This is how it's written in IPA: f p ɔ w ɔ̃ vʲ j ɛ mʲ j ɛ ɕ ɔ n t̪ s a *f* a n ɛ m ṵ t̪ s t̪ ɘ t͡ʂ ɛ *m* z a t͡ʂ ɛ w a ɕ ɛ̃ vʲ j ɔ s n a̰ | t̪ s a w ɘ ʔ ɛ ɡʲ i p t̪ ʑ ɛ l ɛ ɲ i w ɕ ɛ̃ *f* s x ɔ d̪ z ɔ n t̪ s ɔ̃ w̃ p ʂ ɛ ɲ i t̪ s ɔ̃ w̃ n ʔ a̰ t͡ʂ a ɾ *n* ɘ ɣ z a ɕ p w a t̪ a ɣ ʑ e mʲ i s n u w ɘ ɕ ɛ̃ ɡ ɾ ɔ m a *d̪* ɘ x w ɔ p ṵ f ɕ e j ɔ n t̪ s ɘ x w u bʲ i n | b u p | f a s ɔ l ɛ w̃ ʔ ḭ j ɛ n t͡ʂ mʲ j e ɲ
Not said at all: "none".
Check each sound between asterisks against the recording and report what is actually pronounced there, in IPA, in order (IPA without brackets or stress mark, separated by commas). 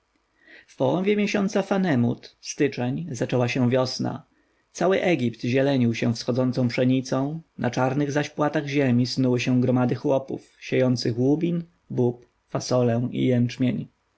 f, ɲ, f, n, d̪